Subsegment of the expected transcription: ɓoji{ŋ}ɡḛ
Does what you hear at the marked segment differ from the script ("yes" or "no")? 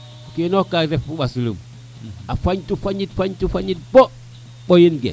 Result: yes